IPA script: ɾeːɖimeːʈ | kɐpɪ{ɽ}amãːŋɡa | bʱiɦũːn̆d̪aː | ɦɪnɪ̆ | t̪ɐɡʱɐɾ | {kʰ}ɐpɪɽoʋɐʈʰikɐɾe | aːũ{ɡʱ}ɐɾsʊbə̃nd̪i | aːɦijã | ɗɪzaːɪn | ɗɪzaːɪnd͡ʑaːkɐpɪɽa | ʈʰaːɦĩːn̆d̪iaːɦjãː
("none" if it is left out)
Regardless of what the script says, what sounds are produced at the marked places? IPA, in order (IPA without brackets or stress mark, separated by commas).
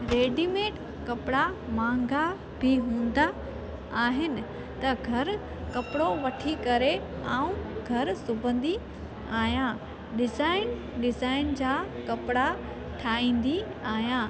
ɽ, k, ɡʱ